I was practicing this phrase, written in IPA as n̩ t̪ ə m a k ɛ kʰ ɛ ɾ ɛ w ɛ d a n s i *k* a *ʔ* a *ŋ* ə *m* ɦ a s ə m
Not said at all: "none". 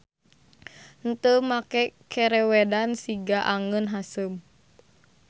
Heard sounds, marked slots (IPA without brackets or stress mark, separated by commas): ɡ, ʔ, ŋ, n